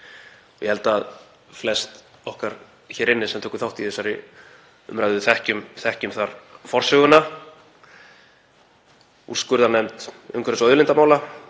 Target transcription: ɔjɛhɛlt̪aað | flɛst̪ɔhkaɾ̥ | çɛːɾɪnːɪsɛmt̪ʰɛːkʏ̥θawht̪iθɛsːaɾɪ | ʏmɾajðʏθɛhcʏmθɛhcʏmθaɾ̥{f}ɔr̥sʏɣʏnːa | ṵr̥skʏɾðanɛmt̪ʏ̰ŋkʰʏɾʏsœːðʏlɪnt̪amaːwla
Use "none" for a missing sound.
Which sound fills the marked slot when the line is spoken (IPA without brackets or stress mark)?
f